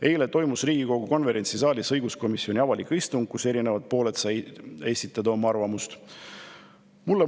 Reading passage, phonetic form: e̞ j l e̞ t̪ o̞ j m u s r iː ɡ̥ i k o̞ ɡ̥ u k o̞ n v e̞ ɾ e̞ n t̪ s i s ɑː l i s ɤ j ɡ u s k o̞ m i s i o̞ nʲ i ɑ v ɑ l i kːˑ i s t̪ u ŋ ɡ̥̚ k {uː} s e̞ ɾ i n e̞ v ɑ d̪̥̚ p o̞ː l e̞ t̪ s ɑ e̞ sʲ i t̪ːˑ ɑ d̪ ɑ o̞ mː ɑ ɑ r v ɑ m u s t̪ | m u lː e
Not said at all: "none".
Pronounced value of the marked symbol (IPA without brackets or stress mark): u